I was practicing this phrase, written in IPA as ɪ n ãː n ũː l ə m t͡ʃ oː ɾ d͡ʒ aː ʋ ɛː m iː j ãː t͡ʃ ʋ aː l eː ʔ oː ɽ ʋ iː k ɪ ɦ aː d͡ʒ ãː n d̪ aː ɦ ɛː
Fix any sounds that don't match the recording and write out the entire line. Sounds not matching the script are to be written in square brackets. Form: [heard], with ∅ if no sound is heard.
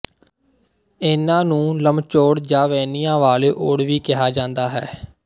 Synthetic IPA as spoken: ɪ n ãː n ũː l ə m t͡ʃ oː [ɽ] d͡ʒ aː ʋ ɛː [n] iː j ãː [∅] ʋ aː l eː ʔ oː ɽ ʋ iː k ɪ ɦ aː d͡ʒ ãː n d̪ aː ɦ ɛː